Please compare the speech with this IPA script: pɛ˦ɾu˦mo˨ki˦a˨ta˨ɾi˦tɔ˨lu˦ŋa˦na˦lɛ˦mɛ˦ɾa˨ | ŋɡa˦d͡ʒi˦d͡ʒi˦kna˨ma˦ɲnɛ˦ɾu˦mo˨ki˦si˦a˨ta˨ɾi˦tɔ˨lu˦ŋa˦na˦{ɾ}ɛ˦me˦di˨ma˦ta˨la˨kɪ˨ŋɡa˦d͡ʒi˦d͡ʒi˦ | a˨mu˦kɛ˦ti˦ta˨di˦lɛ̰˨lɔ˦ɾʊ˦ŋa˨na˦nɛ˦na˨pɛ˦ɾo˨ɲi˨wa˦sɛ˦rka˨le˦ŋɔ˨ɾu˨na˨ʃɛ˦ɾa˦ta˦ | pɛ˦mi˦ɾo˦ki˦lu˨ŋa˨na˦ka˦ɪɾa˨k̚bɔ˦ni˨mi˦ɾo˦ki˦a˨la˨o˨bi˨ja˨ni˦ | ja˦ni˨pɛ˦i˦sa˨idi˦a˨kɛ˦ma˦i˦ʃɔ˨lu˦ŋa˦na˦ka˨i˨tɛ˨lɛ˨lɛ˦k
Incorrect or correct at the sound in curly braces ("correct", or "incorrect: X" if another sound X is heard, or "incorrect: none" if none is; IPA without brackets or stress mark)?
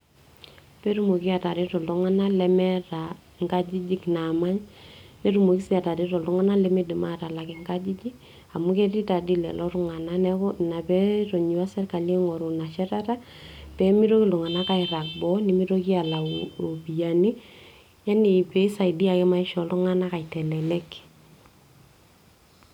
incorrect: l